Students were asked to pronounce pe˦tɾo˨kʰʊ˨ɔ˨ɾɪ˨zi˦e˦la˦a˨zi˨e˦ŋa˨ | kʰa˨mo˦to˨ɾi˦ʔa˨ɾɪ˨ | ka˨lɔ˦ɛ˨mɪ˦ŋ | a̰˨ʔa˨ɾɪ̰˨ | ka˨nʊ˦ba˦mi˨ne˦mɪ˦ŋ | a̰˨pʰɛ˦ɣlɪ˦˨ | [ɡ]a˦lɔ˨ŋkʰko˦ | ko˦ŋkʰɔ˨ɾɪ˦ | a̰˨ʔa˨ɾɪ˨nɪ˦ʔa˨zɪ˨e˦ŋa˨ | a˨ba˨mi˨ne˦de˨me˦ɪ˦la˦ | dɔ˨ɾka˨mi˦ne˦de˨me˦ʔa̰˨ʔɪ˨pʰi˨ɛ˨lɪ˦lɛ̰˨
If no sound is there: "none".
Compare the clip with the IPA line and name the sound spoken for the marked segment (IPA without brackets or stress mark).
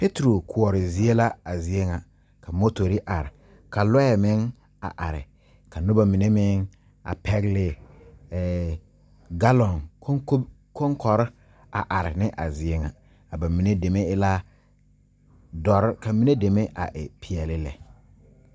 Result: ɡ